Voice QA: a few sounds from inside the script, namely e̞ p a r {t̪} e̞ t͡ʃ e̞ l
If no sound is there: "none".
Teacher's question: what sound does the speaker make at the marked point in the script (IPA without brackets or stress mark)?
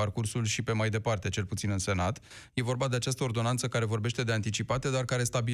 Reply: t̪